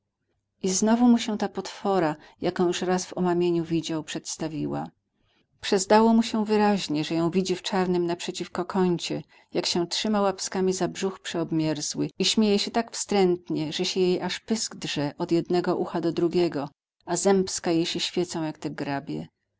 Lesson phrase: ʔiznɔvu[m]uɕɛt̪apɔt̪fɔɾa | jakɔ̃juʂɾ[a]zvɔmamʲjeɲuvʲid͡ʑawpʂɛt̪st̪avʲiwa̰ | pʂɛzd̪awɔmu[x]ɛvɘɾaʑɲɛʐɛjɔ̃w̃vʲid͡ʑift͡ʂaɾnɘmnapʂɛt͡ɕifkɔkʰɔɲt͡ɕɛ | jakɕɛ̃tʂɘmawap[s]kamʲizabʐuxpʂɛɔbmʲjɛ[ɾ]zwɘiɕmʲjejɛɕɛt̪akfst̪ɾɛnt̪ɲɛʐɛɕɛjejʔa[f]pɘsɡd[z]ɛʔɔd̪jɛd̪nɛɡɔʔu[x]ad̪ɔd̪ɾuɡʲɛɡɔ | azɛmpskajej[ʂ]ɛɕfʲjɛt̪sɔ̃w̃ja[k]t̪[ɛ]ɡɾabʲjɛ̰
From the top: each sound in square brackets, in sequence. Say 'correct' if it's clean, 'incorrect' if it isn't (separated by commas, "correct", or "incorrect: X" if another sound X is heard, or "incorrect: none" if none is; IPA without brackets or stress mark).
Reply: correct, correct, incorrect: ɕ, correct, correct, incorrect: ʂ, incorrect: ʐ, correct, incorrect: ɕ, correct, correct